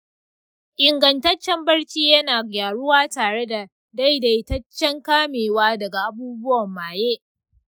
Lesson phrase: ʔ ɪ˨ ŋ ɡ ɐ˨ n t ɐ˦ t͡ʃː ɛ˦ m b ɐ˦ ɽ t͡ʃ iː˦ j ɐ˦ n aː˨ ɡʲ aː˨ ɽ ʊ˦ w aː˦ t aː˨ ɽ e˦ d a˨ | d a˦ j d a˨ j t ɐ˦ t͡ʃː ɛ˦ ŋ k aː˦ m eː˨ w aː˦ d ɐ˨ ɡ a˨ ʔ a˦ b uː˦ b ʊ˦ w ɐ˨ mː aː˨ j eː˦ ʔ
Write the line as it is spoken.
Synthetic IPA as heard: ʔ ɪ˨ ŋ ɡ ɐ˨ n t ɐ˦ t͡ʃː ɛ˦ m b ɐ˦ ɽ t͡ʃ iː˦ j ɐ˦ n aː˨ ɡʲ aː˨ ɽ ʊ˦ w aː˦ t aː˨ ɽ e˦ d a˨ | d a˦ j d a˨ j t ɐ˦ t͡ʃː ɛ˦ ŋ k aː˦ m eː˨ w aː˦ d ɐ˨ ɡ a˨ ʔ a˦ b uː˦ b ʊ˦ w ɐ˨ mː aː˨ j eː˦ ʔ